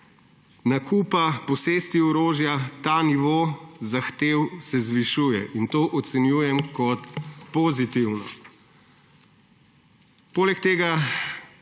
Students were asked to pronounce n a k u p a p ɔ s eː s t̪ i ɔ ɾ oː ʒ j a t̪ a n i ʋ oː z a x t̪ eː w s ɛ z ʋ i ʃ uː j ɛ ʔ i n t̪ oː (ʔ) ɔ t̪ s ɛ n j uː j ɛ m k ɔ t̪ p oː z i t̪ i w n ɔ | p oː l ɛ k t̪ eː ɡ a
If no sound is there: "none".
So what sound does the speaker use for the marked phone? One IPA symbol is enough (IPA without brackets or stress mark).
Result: ʔ